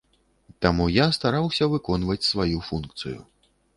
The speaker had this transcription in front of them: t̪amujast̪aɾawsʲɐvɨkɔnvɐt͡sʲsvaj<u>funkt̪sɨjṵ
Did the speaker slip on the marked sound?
no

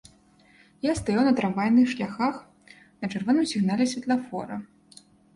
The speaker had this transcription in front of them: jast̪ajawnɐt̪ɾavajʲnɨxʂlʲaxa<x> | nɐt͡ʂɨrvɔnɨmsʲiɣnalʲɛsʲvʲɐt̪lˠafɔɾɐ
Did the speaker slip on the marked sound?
no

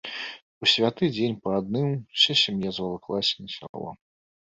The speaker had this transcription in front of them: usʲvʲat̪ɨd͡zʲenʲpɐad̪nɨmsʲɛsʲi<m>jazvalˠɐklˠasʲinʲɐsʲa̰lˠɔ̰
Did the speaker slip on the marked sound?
no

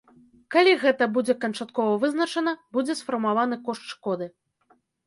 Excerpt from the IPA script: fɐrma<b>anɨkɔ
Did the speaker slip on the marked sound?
yes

